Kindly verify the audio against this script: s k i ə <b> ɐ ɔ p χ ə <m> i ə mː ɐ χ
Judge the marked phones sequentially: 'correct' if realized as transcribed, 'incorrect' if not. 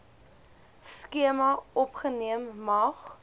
incorrect: m, incorrect: n

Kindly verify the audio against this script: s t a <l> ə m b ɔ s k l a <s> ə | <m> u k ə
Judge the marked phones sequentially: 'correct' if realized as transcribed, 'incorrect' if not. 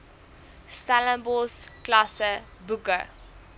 correct, correct, incorrect: b

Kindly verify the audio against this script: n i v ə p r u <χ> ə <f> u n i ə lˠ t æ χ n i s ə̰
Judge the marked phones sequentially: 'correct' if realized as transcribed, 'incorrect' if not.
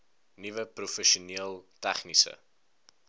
incorrect: f, incorrect: ʃ

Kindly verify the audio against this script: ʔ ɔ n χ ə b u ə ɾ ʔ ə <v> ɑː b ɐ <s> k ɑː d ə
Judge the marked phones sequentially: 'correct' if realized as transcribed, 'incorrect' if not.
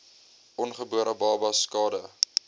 incorrect: b, correct

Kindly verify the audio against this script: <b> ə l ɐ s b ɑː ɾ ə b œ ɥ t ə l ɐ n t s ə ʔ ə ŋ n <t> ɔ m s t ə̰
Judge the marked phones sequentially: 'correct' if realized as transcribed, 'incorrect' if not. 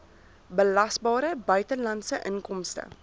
correct, incorrect: k

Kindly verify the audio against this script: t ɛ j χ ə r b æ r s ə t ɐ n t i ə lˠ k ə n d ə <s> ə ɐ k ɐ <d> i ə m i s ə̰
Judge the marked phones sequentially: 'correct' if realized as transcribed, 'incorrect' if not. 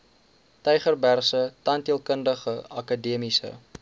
incorrect: χ, correct

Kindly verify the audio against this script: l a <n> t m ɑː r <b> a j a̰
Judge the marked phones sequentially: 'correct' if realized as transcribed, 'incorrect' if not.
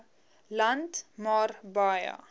correct, correct

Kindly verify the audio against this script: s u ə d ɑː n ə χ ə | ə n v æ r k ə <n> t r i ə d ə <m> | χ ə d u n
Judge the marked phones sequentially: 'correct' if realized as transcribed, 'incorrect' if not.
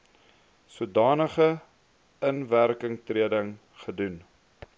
incorrect: ŋ, incorrect: ŋ

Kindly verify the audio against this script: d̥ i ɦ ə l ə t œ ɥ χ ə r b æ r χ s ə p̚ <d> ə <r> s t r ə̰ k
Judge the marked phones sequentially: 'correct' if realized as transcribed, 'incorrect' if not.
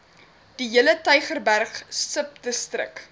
correct, incorrect: none

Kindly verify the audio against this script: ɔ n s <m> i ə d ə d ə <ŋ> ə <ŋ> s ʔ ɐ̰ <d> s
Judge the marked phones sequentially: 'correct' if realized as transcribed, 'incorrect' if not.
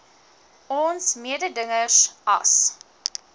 correct, correct, incorrect: none, incorrect: none

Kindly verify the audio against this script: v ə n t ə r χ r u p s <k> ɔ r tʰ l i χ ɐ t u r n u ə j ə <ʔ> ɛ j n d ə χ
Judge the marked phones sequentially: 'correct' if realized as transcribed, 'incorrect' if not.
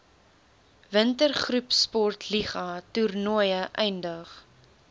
incorrect: p, correct

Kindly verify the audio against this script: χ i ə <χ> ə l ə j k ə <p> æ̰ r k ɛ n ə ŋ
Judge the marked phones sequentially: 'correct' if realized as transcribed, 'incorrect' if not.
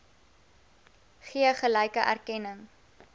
correct, incorrect: ʔ

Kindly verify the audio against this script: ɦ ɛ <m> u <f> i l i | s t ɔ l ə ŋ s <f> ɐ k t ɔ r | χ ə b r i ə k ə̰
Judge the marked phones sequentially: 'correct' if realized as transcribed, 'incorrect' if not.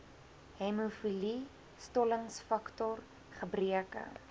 correct, correct, correct

